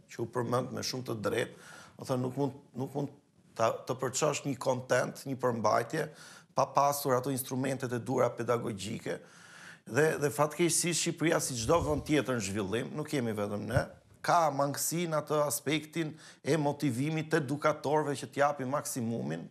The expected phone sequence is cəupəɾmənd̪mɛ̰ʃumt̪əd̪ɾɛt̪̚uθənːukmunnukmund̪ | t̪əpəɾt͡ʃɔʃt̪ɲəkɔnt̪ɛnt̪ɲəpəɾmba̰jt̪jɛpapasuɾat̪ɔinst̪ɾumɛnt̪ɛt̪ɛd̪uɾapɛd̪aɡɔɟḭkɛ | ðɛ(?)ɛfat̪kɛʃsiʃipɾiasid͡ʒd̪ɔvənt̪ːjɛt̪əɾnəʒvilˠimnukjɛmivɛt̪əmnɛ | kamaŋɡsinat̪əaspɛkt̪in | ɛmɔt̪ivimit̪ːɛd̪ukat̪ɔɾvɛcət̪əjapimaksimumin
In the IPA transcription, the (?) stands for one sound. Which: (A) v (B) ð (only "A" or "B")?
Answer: B